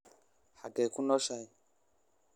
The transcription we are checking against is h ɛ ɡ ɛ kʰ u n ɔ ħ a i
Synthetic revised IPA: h a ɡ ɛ k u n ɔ ʃ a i

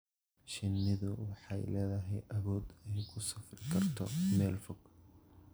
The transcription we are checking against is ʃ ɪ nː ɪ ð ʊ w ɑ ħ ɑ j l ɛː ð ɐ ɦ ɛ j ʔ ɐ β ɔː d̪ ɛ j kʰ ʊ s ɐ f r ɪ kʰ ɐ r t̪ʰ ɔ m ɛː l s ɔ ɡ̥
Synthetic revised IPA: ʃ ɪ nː ɪ ð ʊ w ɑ ħ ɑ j l ɛː ð ɐ ɦ ɛ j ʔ ɐ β ɔː d̪ ɛ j kʰ ʊ s ɐ f r ɪ kʰ ɐ r t̪ʰ ɔ m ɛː l f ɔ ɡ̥

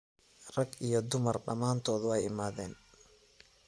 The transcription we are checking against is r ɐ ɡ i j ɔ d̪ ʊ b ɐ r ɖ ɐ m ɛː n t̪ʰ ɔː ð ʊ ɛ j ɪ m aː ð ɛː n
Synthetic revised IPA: r ɐ ɡ i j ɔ d̪ ʊ m ɐ r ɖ ɐ m aː n t̪ʰ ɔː ð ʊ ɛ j ɪ m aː ð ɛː n

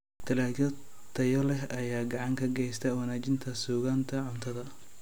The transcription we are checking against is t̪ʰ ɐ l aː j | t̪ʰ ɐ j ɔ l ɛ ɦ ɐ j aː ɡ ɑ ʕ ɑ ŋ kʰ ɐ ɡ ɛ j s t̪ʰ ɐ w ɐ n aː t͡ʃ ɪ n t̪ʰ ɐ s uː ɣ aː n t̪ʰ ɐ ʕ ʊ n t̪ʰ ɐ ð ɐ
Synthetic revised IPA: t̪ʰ ɐ l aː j | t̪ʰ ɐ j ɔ l ɛ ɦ ɐ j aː ɡ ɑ ʕ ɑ ŋ kʰ ɐ ɡ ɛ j s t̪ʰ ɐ w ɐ n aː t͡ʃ ɪ n t̪ʰ ɐ s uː ɣ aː n t̪ʰ ɐ ʕ ʊ n t̪ʰ ɐ ð ɐ

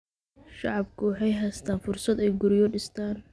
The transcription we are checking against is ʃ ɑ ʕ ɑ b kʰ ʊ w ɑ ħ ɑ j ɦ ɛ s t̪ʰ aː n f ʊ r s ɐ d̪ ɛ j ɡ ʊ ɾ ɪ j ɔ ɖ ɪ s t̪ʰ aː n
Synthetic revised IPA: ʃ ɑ ʕ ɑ b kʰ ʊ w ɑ ħ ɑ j ɦ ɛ s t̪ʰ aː n f ʊ r s ɐ d̪ ɛ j ɡ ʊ ɾ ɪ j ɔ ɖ ɪ s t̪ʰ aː n

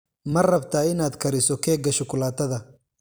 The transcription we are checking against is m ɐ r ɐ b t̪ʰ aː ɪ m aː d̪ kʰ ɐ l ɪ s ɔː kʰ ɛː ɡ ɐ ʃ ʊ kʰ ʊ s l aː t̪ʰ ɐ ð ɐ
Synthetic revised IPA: m ɐ r ɐ b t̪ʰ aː ɪ n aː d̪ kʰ ɐ ɾ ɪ s ɔ kʰ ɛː ɡ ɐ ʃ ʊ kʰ ʊ l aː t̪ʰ ɐ ð ɐ

